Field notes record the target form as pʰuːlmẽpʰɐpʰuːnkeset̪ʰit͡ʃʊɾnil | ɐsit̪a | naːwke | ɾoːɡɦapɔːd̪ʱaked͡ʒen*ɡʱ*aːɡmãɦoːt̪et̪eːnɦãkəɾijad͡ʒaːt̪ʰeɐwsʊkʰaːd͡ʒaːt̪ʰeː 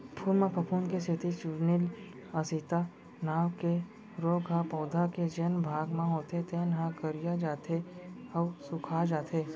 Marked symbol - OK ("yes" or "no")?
no